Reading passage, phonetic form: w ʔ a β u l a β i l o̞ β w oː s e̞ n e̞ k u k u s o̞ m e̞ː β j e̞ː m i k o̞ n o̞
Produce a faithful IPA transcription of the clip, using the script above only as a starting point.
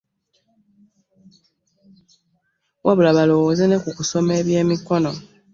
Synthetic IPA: w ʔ a β u l a β a l o̞ w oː z e̞ n e̞ k u k u s o̞ m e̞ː β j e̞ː m i k o̞ n o̞